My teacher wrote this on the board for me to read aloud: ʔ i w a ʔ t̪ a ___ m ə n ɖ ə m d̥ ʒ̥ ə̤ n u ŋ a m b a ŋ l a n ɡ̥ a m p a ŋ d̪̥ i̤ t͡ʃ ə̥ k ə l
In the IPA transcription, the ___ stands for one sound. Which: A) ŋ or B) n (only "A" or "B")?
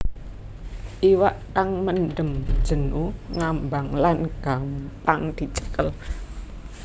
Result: A